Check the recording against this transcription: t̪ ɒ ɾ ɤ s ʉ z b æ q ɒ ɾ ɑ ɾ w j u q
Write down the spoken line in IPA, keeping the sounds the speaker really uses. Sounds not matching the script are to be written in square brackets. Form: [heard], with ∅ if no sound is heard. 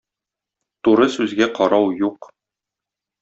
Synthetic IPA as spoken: t̪ [u] ɾ ɤ s ʉ z [ɡ] æ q ɒ ɾ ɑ [∅] w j u q